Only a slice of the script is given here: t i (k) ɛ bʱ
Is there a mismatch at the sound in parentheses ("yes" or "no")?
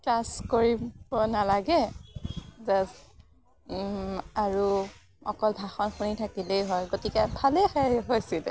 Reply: no